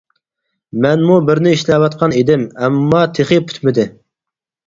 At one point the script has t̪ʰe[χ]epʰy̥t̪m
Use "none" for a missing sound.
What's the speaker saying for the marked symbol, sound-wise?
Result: χ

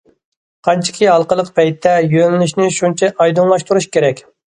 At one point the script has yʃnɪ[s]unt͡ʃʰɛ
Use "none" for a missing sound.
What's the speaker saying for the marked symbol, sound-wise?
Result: ʃ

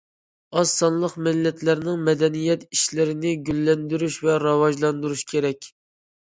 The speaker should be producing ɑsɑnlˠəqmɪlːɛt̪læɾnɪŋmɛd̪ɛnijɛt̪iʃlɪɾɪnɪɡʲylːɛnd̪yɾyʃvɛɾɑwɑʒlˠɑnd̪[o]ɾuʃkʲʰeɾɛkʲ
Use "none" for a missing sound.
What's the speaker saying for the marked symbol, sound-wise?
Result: u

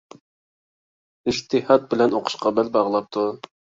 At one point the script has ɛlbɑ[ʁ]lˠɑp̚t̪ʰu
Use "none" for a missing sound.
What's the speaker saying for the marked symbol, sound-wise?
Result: ʁ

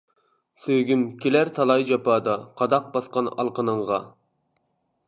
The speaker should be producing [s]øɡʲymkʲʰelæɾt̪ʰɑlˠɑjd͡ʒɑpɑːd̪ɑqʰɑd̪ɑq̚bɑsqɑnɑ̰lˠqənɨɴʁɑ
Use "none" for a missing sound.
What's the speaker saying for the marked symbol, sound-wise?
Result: s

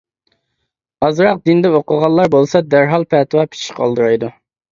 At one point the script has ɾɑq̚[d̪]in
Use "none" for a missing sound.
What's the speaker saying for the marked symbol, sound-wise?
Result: d̪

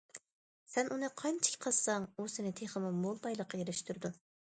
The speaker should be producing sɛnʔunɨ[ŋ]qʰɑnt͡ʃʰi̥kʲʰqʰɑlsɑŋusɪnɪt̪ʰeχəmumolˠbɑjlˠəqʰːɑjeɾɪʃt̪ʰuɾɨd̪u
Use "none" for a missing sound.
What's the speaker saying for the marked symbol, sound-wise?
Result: none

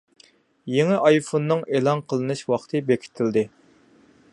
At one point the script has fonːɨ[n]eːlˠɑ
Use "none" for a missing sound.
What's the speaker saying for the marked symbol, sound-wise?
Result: ŋ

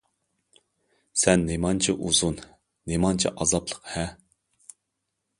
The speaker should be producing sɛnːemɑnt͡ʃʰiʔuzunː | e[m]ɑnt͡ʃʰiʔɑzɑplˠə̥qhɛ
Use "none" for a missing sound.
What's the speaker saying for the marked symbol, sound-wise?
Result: m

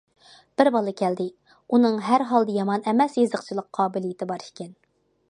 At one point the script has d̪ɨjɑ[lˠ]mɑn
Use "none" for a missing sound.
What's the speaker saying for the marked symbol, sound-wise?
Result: none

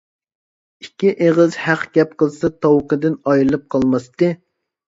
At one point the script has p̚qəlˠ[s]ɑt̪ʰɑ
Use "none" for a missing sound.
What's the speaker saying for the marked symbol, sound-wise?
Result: s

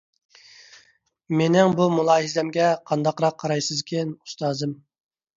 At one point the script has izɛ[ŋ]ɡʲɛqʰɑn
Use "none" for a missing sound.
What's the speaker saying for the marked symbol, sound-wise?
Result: m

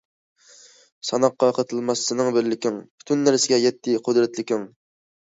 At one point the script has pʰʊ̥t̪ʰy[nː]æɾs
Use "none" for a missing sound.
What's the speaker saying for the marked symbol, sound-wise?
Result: nː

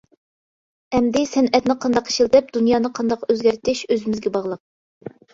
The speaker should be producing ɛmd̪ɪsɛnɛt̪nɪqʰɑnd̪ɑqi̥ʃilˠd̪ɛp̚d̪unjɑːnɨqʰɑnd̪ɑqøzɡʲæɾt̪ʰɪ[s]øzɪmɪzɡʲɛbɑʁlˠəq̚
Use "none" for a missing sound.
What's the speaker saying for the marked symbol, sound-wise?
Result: ʃ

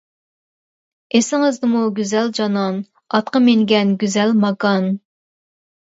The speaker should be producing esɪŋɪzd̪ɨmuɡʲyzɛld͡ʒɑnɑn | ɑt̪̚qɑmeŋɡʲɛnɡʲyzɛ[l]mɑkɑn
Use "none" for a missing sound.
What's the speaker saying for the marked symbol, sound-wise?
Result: l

